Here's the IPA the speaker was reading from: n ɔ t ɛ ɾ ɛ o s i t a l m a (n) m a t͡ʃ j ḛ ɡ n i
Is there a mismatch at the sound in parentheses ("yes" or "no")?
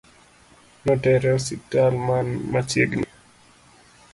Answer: no